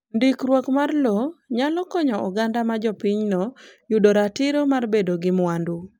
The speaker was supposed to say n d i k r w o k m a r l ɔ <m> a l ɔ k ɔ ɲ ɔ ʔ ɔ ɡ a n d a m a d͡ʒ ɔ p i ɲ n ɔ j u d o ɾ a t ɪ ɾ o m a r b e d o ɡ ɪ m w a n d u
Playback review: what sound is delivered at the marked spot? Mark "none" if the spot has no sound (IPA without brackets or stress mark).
ɲ